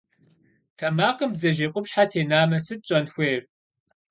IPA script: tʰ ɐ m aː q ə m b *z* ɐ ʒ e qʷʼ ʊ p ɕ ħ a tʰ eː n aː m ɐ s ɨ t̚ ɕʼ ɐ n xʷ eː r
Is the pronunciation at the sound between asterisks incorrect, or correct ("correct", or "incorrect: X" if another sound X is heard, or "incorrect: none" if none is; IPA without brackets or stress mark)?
correct